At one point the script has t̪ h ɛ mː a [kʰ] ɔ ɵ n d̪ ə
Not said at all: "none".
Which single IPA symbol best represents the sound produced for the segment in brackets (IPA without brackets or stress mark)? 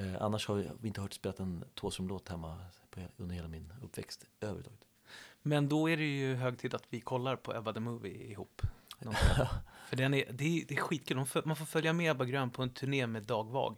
pʰ